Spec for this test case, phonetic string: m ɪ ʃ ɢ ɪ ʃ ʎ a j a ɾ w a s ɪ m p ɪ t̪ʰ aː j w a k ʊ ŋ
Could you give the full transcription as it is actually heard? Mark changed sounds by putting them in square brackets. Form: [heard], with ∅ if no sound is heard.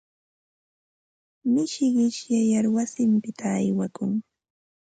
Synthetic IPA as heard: m ɪ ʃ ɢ ɪ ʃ [j] a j a ɾ w a s ɪ m p ɪ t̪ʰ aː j w a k ʊ ŋ